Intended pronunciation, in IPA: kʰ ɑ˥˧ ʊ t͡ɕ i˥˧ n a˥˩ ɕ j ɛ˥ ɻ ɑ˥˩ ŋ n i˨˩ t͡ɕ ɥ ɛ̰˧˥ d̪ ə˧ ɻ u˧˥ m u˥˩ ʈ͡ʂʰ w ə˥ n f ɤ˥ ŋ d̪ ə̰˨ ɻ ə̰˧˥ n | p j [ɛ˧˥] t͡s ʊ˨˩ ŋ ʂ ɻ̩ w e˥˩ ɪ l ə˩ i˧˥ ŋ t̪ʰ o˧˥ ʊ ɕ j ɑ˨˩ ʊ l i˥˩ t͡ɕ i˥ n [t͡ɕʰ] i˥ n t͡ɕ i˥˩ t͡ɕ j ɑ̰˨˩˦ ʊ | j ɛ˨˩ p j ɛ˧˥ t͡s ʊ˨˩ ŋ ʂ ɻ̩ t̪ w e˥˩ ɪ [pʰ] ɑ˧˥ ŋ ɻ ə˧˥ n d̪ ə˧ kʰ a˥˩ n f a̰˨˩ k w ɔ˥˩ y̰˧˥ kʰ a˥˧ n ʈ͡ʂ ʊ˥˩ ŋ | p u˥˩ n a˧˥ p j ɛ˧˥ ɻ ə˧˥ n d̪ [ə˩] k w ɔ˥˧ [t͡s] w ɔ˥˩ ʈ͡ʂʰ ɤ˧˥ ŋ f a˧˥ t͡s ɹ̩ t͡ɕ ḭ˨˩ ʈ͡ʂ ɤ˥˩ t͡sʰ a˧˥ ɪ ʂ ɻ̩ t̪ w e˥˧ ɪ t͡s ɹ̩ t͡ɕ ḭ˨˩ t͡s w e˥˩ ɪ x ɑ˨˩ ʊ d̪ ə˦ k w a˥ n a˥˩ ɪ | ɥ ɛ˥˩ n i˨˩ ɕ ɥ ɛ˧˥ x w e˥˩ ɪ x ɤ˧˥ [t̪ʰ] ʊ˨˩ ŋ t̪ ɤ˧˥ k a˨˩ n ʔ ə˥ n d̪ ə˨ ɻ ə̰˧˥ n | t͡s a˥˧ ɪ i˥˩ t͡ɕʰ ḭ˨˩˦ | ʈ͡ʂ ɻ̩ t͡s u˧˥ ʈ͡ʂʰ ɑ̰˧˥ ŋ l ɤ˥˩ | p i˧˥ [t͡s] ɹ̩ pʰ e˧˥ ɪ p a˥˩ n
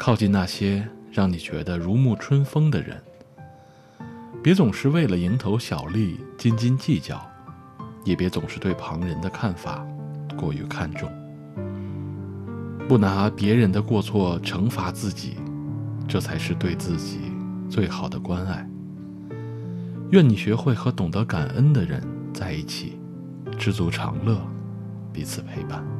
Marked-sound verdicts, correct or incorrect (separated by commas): correct, incorrect, correct, incorrect, incorrect, incorrect, incorrect